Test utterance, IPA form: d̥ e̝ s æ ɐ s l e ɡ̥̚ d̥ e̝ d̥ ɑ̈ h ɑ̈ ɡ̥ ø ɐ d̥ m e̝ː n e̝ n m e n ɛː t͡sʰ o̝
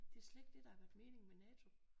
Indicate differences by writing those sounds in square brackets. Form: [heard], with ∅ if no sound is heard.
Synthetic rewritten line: d̥ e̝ [∅] æ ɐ s l e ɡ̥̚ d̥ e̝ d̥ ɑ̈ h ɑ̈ ɡ̥ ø ɐ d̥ m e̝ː n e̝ [ŋ] m e n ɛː t͡sʰ o̝